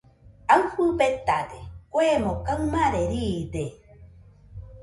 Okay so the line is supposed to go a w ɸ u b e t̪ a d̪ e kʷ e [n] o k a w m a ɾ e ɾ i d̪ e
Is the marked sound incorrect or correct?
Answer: incorrect